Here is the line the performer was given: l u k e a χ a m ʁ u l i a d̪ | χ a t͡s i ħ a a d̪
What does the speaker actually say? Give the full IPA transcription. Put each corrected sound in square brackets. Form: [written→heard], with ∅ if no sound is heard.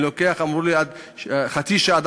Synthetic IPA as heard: l [u→o] k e a χ a m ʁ u l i a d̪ | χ a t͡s i [ħ→ʃ] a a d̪